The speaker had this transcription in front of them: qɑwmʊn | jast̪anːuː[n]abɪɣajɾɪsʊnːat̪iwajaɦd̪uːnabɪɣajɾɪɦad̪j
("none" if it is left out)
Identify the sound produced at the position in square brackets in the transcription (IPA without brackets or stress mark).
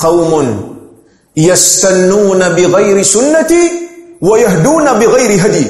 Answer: n